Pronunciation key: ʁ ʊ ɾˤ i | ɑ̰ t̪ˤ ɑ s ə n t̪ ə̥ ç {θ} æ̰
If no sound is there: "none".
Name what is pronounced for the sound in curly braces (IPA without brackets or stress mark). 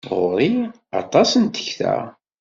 θ